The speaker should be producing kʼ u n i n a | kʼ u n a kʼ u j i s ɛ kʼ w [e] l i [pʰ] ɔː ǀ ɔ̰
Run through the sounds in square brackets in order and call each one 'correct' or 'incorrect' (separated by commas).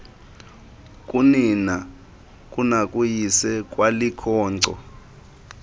incorrect, incorrect